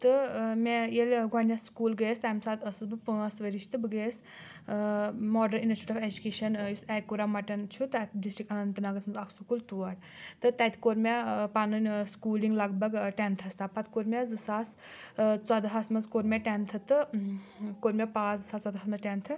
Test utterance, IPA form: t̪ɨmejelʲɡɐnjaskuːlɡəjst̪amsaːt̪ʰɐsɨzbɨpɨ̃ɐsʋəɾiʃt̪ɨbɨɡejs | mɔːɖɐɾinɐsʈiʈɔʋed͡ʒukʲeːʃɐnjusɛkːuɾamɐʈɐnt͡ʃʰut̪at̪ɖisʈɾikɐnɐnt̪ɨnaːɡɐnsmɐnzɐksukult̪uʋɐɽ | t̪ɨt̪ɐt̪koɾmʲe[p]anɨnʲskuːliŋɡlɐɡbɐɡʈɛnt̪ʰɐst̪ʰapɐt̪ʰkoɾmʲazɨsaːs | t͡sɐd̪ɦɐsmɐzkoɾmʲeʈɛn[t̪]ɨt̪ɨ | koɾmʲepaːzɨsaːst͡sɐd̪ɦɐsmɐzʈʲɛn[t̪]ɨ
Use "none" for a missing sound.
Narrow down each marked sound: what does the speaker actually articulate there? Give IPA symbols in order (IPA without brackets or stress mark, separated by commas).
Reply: p, t̪ʰ, t̪ʰ